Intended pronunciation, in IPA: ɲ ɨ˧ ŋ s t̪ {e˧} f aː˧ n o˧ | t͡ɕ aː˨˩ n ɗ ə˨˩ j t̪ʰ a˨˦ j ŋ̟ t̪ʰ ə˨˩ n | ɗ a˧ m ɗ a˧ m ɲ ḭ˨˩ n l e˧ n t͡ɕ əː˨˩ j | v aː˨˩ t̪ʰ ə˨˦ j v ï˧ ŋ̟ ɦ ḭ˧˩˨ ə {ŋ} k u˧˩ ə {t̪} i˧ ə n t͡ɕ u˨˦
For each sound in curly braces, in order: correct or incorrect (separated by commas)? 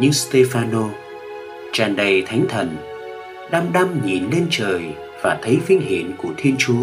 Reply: correct, incorrect, incorrect